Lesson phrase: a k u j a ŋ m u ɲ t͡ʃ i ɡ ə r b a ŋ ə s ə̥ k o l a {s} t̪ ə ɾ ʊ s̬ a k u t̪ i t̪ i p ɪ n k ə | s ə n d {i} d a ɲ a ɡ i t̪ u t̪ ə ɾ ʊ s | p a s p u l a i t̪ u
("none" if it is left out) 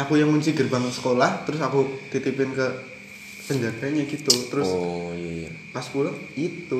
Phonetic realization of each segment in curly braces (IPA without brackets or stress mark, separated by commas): h, a